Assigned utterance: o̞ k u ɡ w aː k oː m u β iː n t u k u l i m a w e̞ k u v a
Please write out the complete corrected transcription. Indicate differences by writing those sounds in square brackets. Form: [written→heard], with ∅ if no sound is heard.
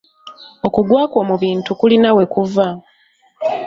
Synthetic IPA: o̞ k u ɡ w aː k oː m u β iː n t u k u l i [m→n] a w e̞ k u v a